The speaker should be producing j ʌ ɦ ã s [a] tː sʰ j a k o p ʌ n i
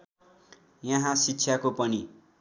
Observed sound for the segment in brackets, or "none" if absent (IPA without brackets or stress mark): i